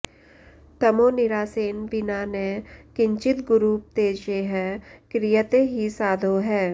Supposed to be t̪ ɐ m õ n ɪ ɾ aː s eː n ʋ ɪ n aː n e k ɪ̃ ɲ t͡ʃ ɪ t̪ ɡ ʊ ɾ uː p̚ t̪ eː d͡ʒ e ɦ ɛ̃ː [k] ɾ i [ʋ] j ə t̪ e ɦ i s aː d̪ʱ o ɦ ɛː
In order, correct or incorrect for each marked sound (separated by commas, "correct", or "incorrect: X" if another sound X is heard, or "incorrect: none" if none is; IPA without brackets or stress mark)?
correct, incorrect: none